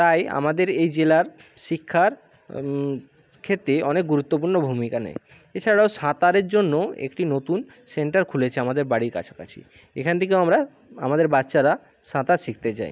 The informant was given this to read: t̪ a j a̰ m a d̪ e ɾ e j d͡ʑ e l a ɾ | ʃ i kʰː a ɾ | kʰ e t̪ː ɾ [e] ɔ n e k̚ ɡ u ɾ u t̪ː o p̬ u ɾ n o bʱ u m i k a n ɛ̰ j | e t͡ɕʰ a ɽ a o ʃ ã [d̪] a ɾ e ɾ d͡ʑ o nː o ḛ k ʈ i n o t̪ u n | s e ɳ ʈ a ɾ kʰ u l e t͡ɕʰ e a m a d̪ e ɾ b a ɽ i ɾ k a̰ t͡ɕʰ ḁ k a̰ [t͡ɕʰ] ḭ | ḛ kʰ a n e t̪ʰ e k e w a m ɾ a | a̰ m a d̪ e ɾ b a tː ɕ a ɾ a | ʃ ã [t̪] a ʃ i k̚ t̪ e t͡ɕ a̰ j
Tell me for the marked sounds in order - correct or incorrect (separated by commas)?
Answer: correct, incorrect, correct, correct